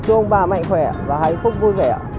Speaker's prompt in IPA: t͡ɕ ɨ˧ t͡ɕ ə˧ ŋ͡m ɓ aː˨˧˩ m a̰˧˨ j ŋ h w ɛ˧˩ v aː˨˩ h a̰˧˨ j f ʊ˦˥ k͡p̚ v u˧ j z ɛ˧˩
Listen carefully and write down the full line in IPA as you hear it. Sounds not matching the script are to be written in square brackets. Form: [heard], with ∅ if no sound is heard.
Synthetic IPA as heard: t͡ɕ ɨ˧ [∅] ə˧ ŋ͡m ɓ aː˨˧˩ m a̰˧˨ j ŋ [x] w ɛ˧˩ v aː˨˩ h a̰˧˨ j f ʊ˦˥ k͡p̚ v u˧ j [v] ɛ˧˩